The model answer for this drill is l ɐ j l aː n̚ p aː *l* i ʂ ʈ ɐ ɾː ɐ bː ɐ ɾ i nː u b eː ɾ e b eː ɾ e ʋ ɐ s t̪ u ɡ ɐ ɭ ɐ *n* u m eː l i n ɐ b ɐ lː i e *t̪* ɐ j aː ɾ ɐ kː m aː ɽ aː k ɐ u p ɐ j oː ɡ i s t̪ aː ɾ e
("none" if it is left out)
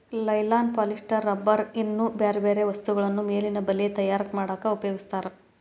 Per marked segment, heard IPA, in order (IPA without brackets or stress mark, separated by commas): l, nː, t̪